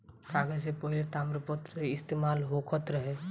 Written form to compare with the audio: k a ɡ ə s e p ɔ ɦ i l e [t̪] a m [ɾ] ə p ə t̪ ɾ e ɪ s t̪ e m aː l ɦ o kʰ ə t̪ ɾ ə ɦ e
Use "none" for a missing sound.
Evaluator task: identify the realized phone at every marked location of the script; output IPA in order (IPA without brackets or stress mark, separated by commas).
t̪, ɾ